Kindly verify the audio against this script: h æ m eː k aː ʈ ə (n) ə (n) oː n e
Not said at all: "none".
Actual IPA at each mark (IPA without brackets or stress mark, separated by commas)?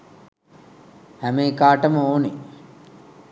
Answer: m, none